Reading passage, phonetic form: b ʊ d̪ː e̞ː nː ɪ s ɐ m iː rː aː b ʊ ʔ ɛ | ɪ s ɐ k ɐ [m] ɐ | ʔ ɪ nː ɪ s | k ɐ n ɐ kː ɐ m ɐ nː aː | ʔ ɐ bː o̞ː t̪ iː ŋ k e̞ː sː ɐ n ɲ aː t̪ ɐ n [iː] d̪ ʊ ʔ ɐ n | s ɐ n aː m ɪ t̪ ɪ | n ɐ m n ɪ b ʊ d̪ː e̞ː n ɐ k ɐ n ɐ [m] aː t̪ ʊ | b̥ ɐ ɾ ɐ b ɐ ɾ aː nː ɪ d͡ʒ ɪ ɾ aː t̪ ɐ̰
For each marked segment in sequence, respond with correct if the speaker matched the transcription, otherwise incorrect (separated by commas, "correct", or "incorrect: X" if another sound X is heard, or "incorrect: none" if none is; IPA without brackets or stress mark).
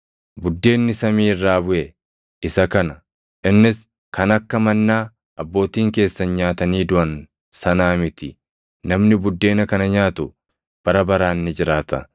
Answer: incorrect: n, correct, incorrect: ɲ